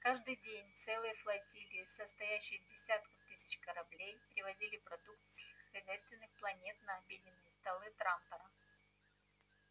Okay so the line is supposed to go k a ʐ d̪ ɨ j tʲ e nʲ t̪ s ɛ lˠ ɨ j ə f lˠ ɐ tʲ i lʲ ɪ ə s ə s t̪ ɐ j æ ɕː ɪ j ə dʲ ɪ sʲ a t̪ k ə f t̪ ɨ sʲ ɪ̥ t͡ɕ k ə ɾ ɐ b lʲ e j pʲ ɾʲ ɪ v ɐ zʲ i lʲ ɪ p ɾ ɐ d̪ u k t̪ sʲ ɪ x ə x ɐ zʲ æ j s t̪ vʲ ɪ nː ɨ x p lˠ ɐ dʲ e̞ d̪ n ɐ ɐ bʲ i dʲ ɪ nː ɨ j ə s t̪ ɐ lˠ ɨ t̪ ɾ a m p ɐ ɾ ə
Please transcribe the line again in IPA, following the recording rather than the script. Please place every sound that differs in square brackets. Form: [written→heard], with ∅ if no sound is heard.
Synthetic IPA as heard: k a ʐ d̪ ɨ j [tʲ→dʲ] e nʲ t̪ s ɛ lˠ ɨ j ə f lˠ ɐ tʲ i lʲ ɪ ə s ə s t̪ ɐ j æ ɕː ɪ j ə dʲ ɪ sʲ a t̪ k ə f t̪ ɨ sʲ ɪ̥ t͡ɕ k ə ɾ ɐ b lʲ e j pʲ ɾʲ ɪ v ɐ zʲ i lʲ ɪ p ɾ ɐ d̪ u k t̪ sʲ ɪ x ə x ɐ zʲ æ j s t̪ vʲ ɪ nː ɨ x p lˠ ɐ [dʲ→nʲ] e̞ [d̪→t̪] n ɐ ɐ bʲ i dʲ ɪ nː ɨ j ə s t̪ ɐ lˠ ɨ t̪ ɾ a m p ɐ ɾ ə